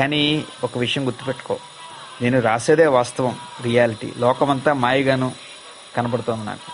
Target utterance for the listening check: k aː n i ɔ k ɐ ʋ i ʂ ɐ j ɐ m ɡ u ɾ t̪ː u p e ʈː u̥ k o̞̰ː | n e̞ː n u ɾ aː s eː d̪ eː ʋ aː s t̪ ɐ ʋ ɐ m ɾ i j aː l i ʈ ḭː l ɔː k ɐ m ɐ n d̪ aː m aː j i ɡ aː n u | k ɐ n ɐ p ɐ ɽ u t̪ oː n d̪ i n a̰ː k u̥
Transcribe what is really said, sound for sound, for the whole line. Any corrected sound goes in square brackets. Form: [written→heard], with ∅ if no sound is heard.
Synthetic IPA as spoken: k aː n i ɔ k ɐ ʋ i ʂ ɐ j ɐ m ɡ u ɾ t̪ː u p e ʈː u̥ k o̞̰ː | n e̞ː n u ɾ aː s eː d̪ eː ʋ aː s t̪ ɐ ʋ ɐ m ɾ i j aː l i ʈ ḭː l ɔː k ɐ m ɐ n [d̪→t̪] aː m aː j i ɡ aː n u | k ɐ n ɐ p ɐ ɽ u t̪ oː n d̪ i n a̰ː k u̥